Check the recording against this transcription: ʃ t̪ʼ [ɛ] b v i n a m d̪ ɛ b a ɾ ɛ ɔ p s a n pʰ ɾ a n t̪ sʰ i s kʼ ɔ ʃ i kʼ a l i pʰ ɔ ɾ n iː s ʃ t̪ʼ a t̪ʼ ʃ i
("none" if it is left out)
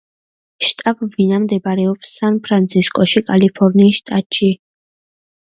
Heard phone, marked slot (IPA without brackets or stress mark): a